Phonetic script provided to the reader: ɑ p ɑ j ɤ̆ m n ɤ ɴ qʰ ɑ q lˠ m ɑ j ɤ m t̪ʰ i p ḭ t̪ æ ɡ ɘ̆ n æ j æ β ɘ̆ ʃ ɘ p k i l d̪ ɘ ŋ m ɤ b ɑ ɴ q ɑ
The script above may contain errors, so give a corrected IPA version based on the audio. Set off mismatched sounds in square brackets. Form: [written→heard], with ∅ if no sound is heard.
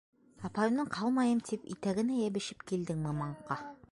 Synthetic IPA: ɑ p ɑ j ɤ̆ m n ɤ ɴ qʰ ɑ [q→∅] lˠ m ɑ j ɤ m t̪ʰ i p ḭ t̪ æ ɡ ɘ̆ n æ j æ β ɘ̆ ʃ ɘ p k i l d̪ ɘ ŋ m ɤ [b→m] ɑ ɴ q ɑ